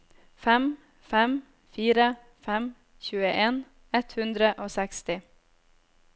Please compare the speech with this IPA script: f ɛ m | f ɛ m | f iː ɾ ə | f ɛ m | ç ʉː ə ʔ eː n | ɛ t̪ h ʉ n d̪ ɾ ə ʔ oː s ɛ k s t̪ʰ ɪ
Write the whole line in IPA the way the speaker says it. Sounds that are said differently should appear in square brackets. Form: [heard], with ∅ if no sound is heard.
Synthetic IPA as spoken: f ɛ m | f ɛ m | f iː ɾ ə | f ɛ m | ç ʉː ə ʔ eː n | ɛ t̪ h ʉ n d̪ ɾ ə ʔ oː s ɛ k s [t̪] ɪ